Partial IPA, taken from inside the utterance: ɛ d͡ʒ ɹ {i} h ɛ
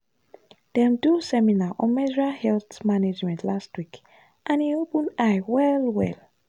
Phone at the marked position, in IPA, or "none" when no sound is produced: a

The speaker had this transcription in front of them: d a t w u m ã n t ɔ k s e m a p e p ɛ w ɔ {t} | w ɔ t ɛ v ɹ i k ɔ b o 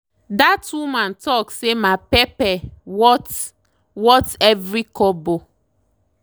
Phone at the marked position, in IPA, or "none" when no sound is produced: t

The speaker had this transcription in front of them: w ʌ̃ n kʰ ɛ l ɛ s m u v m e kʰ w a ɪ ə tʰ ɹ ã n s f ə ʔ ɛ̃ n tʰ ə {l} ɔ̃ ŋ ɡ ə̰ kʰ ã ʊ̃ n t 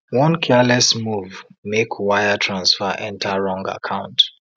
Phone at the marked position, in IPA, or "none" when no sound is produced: ɹ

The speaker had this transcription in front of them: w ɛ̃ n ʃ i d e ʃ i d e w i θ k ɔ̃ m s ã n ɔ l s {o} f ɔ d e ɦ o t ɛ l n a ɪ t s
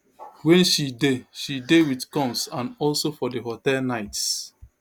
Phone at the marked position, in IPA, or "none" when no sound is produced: o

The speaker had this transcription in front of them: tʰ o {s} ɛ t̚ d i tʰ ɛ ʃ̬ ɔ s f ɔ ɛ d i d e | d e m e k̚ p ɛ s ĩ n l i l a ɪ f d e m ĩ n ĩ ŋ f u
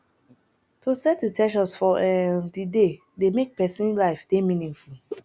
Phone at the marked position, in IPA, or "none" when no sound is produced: s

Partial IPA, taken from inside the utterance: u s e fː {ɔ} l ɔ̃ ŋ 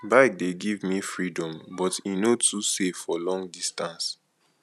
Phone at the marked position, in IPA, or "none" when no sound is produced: ɔ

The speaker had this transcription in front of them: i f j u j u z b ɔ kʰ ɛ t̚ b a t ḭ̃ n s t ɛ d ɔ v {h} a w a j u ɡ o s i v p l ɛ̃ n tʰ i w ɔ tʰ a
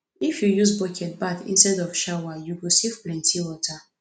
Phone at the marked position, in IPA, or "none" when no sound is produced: ʃ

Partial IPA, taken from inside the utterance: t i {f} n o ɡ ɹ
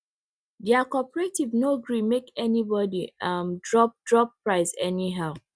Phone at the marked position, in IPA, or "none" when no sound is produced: v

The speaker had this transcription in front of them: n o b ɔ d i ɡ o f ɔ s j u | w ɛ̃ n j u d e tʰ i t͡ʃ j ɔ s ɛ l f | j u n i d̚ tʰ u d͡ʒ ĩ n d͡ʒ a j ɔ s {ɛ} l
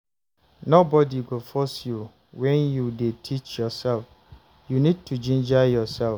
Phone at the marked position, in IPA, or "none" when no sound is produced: ɛ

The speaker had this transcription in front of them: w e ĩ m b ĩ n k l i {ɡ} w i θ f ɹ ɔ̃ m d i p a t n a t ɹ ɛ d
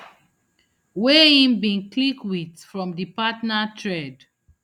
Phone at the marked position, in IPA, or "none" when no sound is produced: k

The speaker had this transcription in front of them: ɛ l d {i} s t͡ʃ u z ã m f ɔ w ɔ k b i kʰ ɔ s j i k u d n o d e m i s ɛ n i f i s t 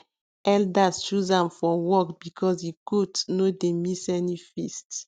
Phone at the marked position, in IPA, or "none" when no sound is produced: a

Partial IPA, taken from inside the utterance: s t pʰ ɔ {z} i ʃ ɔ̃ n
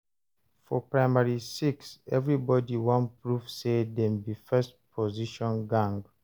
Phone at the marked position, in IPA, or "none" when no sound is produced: z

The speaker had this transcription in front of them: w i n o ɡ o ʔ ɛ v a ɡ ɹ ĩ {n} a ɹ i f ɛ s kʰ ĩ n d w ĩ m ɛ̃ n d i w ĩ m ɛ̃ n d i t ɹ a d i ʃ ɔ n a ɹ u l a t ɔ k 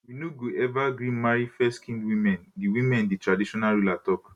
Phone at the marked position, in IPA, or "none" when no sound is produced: m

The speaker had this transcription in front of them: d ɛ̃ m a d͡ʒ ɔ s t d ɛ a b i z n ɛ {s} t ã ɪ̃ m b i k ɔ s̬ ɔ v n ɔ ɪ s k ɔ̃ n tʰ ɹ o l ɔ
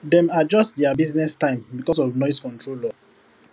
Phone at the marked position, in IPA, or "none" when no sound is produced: s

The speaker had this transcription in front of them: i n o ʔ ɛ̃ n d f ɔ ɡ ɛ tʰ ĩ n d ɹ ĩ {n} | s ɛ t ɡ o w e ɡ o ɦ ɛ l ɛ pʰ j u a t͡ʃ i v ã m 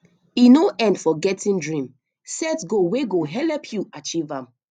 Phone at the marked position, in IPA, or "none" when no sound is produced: m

